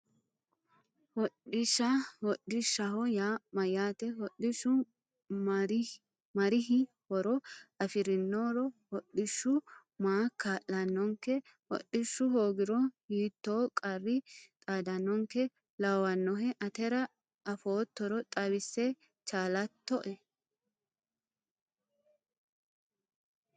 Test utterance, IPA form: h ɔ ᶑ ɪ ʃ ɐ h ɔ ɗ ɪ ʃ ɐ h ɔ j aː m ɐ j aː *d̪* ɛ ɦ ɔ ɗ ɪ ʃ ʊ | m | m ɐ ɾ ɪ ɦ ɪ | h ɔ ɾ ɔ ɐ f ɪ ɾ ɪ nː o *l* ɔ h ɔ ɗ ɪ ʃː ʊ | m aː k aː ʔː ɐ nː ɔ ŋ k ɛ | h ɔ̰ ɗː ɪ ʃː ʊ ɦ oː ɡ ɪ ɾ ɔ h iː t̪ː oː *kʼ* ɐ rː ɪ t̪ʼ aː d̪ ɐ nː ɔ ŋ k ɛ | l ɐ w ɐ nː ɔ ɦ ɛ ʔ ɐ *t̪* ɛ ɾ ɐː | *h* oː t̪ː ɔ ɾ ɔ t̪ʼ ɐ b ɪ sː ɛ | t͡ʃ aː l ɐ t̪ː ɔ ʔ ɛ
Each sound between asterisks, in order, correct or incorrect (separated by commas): incorrect, incorrect, correct, correct, incorrect